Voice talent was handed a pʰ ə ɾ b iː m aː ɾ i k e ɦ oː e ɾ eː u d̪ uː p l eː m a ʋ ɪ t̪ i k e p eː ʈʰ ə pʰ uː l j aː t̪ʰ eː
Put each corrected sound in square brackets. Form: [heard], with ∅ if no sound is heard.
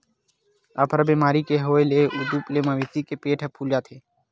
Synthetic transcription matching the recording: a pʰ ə ɾ b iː m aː ɾ i k e ɦ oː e [l] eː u d̪ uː p l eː m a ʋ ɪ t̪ i k e p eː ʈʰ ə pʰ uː l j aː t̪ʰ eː